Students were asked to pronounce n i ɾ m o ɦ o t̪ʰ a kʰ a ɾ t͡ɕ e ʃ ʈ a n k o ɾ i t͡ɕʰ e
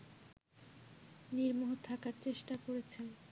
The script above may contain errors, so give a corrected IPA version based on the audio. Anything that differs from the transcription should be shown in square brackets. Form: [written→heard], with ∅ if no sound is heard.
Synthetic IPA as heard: n i ɾ m o ɦ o t̪ʰ a [kʰ→k] a ɾ t͡ɕ e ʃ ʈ a [n→∅] k o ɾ [i→e] t͡ɕʰ e